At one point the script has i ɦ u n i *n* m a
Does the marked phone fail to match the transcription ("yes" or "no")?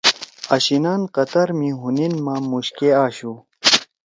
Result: no